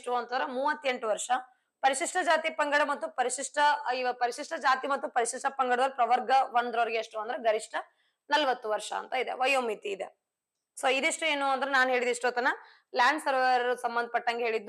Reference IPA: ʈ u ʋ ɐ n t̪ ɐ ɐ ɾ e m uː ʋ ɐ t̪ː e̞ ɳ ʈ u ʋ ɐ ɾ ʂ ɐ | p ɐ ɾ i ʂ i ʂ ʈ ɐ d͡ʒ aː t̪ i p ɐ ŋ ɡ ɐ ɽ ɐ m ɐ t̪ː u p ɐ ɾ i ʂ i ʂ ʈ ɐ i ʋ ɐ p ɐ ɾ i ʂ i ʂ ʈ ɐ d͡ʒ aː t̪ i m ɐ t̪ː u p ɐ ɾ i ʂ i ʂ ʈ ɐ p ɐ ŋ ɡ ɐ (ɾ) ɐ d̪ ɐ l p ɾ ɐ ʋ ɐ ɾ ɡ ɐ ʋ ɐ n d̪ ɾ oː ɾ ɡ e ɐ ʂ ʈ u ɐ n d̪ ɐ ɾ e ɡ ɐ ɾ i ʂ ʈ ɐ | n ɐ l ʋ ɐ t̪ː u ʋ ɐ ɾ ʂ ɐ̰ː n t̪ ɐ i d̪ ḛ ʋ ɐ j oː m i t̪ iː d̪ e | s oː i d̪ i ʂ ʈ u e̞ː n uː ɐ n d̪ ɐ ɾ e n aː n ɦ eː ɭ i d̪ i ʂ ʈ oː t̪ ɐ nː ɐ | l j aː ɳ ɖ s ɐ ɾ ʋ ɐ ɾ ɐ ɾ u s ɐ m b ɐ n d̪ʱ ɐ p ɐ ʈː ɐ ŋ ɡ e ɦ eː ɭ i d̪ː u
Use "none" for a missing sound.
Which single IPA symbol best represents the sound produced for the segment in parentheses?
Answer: ɽ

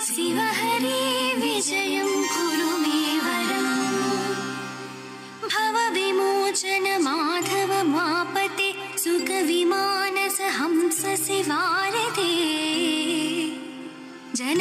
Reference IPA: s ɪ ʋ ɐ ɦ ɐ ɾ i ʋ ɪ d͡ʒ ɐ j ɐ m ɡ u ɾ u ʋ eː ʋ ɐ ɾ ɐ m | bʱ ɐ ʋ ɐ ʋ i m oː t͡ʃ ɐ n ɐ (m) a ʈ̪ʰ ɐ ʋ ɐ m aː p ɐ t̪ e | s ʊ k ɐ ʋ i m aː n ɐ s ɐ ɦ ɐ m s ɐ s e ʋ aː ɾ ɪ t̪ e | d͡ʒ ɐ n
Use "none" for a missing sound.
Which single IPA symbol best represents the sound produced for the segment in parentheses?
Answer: m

